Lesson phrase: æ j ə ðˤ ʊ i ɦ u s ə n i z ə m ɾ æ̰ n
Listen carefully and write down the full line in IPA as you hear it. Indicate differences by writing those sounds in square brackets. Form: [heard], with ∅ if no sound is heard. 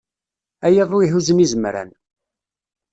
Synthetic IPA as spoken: æ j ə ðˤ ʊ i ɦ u [z] ə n i z ə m ɾ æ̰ n